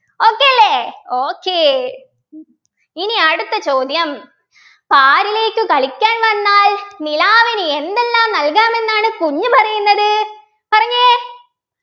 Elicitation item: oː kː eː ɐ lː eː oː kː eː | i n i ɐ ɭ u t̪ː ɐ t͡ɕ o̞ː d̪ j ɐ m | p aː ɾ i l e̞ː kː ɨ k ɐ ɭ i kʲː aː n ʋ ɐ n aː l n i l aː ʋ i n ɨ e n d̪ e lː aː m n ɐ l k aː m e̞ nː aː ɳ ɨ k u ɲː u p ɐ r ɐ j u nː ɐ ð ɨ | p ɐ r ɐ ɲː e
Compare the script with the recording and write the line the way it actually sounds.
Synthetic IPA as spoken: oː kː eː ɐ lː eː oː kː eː | i n i ɐ ɽ u t̪ː ɐ t͡ɕ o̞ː d̪ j ɐ m | p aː ɾ i l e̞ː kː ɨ k ɐ ɭ i kʲː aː n ʋ ɐ nː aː l n i l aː ʋ i n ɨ e n d̪ e lː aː m n ɐ l k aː m e̞ nː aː ɳ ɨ k u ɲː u p ɐ r ɐ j u nː ɐ ð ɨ | p ɐ r ɐ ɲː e